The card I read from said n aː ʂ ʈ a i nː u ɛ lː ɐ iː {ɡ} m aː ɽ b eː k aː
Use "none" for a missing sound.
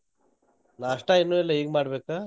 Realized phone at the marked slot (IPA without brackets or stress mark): ɡ